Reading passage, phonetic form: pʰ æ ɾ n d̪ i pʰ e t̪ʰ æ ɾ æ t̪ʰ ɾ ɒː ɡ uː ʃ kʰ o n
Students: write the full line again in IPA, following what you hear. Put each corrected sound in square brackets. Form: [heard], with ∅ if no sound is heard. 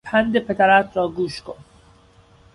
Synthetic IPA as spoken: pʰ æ [∅] n d̪ [e] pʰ e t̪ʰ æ ɾ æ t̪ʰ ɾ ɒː ɡ uː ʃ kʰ o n